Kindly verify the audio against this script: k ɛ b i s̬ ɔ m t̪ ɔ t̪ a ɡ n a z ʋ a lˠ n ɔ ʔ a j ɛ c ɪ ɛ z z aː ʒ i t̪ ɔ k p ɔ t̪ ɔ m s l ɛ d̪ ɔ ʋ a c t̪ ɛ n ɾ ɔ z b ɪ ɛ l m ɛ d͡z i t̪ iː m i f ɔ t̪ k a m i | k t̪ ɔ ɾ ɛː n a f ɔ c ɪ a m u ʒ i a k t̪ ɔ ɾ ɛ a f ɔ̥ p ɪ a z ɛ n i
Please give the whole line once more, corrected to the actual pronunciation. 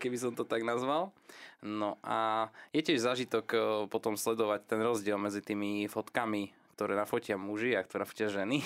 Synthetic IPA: k ɛ b i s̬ ɔ m t̪ ɔ t̪ a ɡ n a z ʋ a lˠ n ɔ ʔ a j ɛ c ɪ ɛ ʒ z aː ʒ i t̪ ɔ k p ɔ t̪ ɔ m s l ɛ d̪ ɔ ʋ a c t̪ ɛ n ɾ ɔ z ɟ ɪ ɛ l m ɛ d͡z i t̪ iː m i f ɔ t̪ k a m i | k t̪ ɔ ɾ ɛː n a f ɔ c ɪ a m u ʒ i a k t̪ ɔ ɾ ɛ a f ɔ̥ c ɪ a ʒ ɛ n i